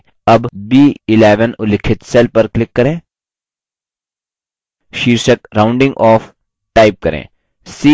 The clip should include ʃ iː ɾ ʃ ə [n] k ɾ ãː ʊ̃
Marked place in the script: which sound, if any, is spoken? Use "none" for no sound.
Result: none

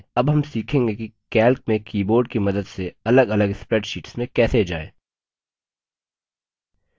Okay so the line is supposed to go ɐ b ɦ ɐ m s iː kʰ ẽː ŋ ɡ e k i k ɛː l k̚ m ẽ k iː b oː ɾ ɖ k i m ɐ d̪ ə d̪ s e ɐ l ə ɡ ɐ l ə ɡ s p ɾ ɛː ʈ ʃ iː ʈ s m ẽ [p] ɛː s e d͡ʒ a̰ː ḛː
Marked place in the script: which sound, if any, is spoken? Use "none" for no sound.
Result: k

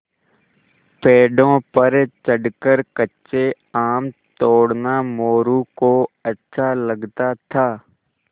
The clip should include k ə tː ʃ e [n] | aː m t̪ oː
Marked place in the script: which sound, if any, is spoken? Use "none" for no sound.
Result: none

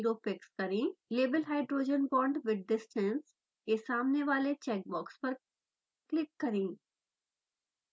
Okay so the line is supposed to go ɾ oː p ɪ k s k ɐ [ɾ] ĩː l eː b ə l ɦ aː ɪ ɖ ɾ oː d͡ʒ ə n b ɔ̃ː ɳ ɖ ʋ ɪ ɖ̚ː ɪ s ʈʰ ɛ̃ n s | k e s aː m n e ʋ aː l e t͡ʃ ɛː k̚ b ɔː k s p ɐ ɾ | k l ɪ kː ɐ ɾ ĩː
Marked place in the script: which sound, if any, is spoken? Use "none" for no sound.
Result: ɾ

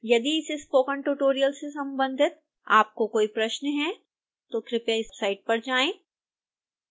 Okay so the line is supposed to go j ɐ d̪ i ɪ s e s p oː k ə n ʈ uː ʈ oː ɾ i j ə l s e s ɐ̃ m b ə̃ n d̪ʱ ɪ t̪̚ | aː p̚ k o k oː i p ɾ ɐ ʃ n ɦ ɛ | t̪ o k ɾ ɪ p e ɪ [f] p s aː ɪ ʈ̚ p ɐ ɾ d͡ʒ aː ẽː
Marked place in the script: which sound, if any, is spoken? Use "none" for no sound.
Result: s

